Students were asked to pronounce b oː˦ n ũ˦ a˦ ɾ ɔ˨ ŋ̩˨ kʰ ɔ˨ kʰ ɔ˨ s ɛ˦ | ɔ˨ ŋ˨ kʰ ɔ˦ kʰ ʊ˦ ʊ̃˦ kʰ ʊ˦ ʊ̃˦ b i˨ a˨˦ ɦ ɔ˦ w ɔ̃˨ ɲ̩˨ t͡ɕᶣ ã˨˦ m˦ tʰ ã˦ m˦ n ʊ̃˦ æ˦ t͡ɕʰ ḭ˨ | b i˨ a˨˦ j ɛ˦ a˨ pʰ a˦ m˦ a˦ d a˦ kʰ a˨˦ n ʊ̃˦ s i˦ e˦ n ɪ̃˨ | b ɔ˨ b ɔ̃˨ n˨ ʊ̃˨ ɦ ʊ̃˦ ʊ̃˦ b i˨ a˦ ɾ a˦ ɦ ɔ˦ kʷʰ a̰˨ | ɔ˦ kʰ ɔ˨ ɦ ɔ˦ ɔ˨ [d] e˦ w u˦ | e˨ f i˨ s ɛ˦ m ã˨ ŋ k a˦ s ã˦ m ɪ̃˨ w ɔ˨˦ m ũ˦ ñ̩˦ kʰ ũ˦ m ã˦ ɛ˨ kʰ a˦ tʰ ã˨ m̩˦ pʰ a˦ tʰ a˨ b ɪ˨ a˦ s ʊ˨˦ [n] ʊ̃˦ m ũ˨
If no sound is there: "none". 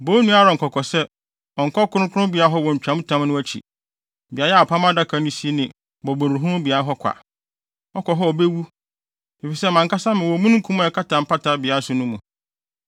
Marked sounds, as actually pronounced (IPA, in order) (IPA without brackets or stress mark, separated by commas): b, n